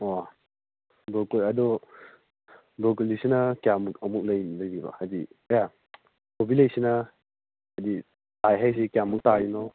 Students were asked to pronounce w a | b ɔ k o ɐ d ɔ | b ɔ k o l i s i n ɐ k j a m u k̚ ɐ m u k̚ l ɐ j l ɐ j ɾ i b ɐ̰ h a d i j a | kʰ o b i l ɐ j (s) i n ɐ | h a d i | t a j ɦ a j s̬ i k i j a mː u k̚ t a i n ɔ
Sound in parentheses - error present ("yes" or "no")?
no